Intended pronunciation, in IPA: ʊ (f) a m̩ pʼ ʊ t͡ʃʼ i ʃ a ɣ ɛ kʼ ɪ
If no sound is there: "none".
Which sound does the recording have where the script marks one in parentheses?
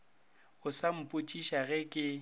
s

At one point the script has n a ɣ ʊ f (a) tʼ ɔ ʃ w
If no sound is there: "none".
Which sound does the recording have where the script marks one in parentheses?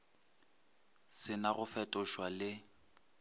ɛ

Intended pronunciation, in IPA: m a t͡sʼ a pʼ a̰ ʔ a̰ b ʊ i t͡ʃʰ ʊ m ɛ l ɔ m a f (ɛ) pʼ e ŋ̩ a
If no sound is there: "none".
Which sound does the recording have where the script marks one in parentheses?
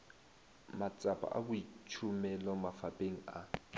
a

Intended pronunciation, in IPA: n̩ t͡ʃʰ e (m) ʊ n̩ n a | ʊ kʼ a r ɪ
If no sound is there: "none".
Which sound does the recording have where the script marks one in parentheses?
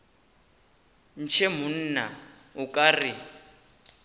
m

